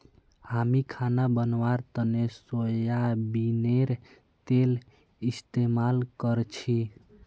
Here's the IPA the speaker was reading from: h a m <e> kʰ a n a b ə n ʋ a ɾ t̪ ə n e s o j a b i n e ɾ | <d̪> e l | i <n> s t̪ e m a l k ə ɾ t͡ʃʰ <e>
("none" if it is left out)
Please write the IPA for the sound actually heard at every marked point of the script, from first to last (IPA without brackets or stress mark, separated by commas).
i, t̪, none, i